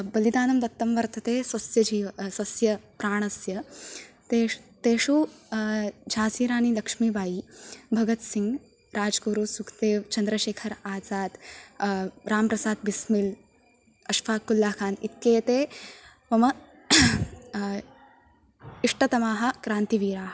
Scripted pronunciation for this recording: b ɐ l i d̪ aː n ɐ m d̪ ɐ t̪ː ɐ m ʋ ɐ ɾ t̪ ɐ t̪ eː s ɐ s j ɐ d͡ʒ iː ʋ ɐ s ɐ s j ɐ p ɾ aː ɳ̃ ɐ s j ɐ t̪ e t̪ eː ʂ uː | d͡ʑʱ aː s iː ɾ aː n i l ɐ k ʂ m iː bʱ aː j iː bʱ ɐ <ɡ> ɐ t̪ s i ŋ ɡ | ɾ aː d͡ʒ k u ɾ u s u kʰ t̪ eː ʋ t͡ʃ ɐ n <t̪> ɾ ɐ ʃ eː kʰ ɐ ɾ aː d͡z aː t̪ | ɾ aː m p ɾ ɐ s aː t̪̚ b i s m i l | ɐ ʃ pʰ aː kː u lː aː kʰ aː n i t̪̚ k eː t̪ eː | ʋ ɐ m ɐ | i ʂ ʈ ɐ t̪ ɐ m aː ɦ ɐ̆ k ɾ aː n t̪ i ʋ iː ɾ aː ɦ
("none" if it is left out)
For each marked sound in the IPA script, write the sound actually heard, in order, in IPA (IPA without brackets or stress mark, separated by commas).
ɡ, d̪